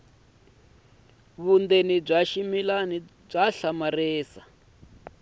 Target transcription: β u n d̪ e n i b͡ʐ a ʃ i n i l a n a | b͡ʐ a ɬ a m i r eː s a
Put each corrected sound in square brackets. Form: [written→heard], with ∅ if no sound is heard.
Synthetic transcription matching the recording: β u n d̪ e n i b͡ʐ a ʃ i [n→m] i l a n [a→i] | b͡ʐ a ɬ a m [i→a] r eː s a